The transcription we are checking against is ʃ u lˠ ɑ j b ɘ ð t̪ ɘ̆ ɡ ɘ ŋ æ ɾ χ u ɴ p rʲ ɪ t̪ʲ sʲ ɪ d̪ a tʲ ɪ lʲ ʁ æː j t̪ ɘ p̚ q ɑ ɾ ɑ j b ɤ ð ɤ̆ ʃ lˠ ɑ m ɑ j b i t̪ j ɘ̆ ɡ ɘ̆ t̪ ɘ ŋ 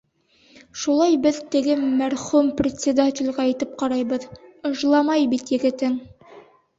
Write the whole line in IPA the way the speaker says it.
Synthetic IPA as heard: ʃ u lˠ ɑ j b ɘ ð t̪ ɘ̆ ɡ ɘ m æ ɾ χ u m p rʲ ɪ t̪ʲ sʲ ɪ d̪ a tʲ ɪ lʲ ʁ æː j t̪ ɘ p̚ q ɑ ɾ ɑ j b ɤ ð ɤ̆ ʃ lˠ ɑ m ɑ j b i t̪ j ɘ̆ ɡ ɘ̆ t̪ ɘ ŋ